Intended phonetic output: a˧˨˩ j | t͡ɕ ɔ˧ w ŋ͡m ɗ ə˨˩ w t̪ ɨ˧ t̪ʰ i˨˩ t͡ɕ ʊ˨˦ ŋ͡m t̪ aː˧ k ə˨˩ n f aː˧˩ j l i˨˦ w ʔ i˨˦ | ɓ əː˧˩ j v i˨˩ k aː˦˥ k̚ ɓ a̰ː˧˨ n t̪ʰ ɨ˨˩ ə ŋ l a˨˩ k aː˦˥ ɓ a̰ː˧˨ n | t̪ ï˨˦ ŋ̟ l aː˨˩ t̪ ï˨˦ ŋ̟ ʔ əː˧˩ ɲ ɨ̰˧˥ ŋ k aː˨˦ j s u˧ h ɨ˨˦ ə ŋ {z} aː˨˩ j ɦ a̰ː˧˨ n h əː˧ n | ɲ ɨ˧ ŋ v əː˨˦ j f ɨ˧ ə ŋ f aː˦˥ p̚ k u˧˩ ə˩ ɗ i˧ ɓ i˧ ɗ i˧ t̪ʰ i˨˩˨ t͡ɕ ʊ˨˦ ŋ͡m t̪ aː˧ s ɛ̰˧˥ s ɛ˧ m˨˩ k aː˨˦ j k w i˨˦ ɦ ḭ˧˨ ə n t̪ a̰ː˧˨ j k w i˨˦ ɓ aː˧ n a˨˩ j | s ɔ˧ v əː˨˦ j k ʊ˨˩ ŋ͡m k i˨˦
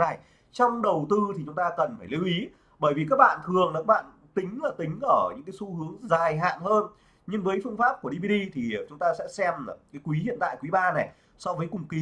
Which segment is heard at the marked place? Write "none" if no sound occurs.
z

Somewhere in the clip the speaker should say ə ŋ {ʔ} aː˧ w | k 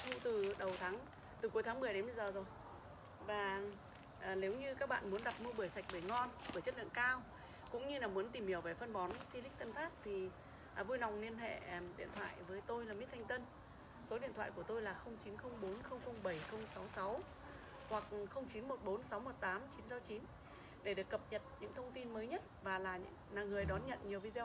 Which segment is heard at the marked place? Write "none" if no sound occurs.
k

